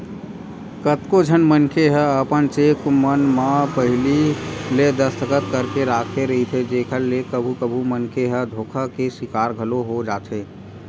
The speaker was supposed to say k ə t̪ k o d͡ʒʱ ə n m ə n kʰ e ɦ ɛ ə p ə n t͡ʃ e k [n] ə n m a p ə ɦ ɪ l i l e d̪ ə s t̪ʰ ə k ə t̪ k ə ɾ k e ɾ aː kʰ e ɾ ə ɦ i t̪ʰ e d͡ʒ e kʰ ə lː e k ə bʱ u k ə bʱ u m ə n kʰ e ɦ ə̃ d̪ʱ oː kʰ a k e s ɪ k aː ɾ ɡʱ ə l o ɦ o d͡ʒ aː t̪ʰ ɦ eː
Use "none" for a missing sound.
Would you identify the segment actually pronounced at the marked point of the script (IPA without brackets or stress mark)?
m